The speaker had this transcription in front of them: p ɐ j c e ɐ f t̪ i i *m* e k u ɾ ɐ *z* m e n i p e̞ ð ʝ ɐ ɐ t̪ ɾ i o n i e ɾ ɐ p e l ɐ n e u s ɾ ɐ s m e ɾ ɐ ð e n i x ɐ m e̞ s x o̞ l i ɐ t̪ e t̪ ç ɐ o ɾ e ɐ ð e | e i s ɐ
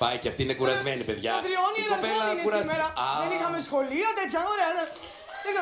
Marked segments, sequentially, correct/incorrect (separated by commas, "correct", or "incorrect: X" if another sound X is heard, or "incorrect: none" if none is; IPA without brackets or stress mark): incorrect: n, correct